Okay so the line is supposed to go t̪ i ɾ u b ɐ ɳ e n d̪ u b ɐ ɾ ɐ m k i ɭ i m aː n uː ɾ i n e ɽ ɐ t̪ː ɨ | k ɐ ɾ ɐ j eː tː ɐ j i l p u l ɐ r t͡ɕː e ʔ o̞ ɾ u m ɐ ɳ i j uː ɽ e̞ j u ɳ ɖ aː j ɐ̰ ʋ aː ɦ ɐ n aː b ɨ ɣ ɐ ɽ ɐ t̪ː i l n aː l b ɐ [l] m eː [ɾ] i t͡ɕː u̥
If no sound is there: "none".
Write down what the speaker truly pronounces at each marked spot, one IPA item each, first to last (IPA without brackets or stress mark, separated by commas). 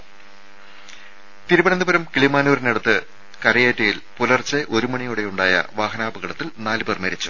r, ɾ